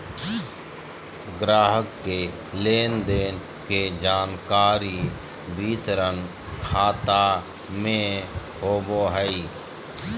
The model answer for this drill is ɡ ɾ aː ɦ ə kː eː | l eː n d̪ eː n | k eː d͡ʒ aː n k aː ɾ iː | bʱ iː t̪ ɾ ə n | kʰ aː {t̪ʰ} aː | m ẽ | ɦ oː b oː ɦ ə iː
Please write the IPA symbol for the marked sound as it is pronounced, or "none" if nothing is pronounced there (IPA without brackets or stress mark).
t̪